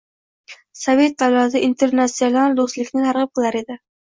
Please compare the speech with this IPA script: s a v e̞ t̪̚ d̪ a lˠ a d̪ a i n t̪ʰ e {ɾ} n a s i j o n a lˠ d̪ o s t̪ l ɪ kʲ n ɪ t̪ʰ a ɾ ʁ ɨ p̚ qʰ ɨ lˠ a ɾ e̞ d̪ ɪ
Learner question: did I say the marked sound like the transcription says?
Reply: yes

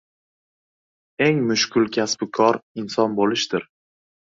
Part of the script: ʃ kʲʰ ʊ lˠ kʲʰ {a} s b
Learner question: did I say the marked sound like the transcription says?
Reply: yes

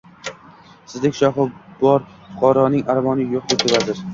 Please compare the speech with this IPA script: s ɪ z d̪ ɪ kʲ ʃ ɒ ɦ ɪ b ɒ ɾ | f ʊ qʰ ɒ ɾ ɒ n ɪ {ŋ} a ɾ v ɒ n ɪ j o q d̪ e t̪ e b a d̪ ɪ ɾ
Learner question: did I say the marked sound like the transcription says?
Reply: yes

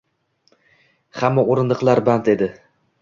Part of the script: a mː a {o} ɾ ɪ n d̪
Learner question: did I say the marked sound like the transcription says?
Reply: yes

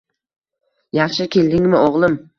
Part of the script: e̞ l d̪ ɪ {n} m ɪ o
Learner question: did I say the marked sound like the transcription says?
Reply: no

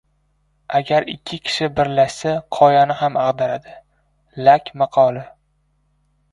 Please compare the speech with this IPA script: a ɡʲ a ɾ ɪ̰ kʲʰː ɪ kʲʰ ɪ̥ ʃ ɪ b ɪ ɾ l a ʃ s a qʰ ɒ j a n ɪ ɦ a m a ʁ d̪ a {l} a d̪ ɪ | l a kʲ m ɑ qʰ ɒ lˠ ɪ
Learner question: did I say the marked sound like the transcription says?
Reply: no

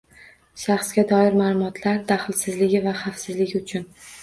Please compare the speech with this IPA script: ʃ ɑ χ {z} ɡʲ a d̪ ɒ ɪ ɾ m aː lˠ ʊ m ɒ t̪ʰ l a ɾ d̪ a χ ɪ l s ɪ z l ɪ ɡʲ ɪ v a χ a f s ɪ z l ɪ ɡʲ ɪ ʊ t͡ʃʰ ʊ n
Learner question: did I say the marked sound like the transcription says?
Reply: no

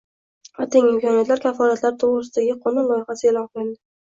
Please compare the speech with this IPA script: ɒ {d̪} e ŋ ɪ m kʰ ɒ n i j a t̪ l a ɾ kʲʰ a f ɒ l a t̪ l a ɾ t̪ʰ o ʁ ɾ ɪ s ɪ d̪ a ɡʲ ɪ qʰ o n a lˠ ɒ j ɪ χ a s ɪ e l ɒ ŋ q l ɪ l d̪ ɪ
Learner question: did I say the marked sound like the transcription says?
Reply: no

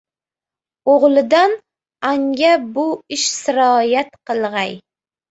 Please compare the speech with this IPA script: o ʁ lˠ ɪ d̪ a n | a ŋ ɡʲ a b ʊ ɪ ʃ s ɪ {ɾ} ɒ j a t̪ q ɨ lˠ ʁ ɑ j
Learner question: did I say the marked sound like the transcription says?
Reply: yes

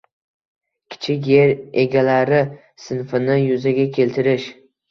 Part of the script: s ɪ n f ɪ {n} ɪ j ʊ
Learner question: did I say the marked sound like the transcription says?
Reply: yes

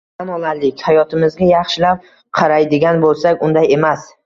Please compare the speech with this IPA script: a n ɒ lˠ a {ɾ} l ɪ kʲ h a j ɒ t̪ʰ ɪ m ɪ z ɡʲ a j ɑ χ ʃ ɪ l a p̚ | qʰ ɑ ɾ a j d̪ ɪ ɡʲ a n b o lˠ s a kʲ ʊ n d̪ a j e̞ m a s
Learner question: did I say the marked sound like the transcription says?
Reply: yes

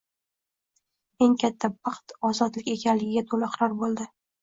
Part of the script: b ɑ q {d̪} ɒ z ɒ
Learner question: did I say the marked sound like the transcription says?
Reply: no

